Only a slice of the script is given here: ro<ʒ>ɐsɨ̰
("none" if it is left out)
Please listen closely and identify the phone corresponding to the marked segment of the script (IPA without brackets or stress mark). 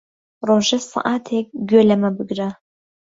ʒ